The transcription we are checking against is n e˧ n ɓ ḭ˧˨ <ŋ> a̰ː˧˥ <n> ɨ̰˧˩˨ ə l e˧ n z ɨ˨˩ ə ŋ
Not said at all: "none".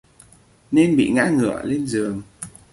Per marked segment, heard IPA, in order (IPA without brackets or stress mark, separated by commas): ŋ, ŋ